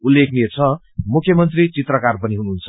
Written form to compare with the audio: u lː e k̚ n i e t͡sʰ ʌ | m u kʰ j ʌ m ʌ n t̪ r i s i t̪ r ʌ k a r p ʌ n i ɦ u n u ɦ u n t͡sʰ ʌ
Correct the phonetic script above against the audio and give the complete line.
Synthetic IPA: u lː e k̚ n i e t͡sʰ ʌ | m u kʰ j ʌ m ʌ n t̪ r i t͡s i t̪ r ʌ k a r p ʌ n i ɦ u n u ɦ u n t͡sʰ ʌ

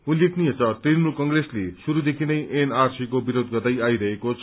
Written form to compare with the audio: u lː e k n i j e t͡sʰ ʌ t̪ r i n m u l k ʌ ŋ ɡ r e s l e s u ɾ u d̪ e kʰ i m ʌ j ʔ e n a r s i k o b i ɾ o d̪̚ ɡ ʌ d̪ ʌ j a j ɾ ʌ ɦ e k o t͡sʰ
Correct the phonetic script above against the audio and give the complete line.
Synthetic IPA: u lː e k n i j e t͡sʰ ʌ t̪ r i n m u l k ʌ ŋ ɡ r e s l e s u ɾ u d̪ e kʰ i n ʌ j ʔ e n a r s i k o b i ɾ o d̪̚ ɡ ʌ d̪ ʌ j a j ɾ ʌ ɦ e k o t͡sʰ

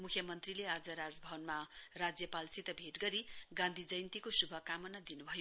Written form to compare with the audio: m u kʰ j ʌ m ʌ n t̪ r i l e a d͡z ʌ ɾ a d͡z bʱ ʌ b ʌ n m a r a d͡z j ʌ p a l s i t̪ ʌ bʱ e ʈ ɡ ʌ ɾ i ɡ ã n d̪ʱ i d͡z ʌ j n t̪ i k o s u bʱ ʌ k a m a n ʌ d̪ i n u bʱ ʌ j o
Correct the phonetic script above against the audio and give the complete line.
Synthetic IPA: m u kʰ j ʌ m ʌ n t̪ r i l e a d͡z ʌ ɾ a d͡z bʱ ʌ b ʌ n m a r a d͡z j ʌ p a l s i t̪ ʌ bʱ e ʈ ɡ ʌ ɾ i ɡ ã n d̪ʱ i d͡z ʌ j n t̪ i k o s u bʱ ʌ k a m ʌ n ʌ d̪ i n u bʱ ʌ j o

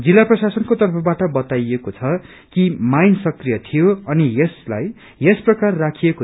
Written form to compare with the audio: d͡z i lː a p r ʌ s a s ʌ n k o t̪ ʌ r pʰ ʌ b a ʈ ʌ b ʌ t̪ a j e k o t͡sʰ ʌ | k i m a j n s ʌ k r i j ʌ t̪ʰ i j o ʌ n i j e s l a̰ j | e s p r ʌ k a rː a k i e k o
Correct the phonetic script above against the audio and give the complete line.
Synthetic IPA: d͡z i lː a p r ʌ s a s ʌ n k o t̪ ʌ r pʰ ʌ b a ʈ ʌ b ʌ t̪ a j e k o t͡sʰ ʌ | k i m a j n s ʌ k r i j ʌ t̪ʰ i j o ʌ n i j e s l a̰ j | e s p r ʌ k a rː a kʰ i e k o

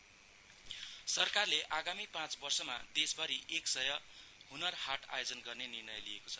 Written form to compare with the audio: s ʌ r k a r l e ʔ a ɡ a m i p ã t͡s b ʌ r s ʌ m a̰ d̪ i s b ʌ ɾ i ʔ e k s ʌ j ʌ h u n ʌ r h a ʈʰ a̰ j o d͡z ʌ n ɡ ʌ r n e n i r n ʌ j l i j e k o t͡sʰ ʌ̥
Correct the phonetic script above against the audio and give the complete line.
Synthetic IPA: s ʌ r k a r l e ʔ a ɡ a m i p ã t͡s b ʌ r s ʌ m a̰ d̪ e s b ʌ ɾ i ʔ e k s ʌ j ʌ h u n ʌ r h a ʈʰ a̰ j o d͡z ʌ n ɡ ʌ r n e n i r n ʌ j l i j e k o t͡sʰ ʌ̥

